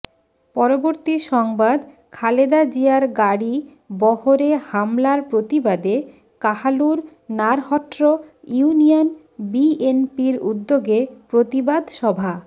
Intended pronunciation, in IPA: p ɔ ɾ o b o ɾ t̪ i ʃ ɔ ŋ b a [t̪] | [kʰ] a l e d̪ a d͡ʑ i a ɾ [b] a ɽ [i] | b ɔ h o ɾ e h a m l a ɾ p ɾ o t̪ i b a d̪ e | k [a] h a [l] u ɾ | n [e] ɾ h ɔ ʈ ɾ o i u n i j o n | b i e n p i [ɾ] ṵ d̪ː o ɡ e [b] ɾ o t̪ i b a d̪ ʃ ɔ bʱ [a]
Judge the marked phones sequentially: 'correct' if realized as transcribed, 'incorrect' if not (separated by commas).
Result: incorrect, correct, incorrect, correct, correct, correct, incorrect, correct, incorrect, correct